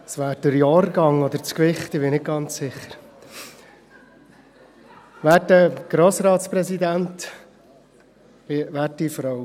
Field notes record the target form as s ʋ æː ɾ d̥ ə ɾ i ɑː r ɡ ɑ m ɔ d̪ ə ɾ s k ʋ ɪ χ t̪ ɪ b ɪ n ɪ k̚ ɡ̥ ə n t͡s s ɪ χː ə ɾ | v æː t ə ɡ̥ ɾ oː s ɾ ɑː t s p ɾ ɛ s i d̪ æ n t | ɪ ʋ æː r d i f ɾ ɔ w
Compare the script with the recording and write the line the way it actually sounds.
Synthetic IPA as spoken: s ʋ æː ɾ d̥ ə ɾ j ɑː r ɡ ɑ ŋ ɔ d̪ ə ɾ t͡s k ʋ ɪ χ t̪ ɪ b ɪ n ɪ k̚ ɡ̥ ɑ n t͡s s ɪ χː ə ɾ | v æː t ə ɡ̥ ɾ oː s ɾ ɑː t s p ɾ ɛ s i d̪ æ n t | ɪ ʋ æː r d i f ɾ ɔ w